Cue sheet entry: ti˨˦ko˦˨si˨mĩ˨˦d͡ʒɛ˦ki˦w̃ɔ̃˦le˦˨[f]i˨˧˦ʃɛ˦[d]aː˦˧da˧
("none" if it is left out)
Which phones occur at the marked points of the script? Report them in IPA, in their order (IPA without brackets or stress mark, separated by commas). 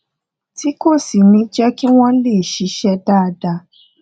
ʃ, d